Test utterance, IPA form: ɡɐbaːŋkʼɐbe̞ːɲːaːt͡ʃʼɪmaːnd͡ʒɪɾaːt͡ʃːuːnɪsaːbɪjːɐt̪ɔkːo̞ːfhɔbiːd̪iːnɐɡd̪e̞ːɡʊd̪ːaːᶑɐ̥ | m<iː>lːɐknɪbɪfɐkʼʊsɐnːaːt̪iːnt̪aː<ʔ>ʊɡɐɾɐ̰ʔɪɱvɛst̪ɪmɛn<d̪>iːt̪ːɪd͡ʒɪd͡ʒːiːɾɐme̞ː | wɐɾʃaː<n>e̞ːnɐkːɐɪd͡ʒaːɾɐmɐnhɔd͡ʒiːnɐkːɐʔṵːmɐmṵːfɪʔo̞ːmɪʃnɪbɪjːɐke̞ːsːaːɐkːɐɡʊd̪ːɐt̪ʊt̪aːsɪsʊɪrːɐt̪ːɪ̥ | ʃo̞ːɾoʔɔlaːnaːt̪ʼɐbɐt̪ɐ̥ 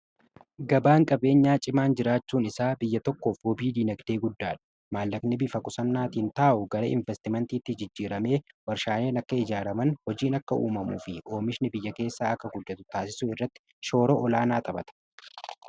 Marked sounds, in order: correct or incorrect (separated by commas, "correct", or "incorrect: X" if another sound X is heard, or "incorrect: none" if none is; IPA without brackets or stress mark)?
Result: incorrect: aː, correct, incorrect: t̪, correct